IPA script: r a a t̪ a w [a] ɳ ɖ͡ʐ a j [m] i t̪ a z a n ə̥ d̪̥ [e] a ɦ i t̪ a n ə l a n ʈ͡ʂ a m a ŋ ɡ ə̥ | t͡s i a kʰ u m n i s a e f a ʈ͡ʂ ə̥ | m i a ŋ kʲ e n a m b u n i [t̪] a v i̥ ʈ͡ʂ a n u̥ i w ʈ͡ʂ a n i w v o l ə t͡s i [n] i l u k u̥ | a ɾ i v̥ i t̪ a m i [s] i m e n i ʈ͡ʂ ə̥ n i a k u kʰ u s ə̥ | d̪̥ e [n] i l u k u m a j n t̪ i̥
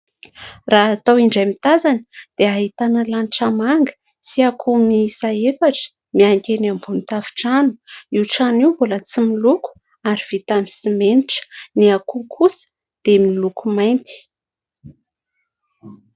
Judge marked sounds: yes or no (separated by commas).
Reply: no, yes, yes, yes, no, yes, no